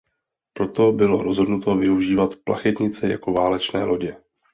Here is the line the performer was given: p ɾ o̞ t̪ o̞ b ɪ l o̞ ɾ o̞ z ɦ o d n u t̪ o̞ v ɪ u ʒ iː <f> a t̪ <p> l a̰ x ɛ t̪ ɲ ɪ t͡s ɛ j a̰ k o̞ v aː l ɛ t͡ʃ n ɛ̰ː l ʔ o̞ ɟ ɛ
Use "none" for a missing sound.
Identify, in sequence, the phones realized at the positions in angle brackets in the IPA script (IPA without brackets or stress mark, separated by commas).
v, p